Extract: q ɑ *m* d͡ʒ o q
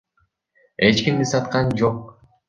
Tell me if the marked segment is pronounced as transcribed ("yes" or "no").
no